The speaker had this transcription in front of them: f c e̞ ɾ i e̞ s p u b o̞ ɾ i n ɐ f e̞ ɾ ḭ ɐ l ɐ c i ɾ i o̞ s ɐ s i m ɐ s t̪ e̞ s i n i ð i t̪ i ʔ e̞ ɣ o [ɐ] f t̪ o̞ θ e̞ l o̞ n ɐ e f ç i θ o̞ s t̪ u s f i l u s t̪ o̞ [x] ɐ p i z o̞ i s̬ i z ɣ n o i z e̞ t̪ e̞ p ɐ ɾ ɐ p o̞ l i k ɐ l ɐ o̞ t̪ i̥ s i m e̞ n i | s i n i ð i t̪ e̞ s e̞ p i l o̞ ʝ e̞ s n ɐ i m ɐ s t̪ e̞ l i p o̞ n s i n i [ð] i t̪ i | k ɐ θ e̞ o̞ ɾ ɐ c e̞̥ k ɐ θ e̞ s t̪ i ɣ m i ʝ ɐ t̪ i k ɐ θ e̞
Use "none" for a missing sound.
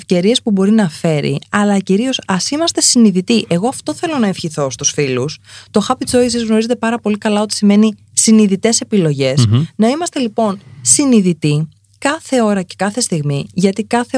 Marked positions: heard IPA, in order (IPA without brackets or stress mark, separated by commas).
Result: ɐ, x, ð